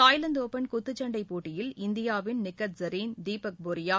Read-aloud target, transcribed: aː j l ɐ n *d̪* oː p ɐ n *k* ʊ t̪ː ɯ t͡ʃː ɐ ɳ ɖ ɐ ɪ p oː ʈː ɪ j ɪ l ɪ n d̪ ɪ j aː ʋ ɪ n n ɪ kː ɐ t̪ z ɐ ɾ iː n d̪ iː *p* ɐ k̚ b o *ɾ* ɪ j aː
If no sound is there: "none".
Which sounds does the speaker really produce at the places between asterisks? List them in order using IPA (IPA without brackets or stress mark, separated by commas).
d̪, k, p, ɾ